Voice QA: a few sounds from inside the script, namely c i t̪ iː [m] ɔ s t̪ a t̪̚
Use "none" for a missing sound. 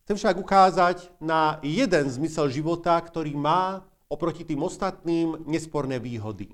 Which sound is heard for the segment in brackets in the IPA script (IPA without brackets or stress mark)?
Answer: m